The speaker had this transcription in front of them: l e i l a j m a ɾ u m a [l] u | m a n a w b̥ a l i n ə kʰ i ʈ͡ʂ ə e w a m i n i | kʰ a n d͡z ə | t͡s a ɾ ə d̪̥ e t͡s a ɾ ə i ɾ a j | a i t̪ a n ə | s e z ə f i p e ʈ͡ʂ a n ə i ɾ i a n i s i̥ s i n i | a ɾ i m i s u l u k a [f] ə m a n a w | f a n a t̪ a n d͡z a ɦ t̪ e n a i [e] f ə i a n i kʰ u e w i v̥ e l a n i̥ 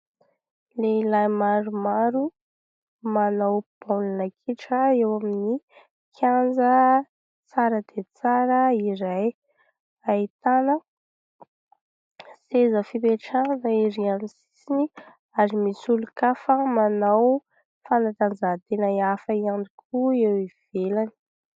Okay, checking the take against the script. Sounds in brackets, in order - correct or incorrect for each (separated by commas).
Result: incorrect, correct, incorrect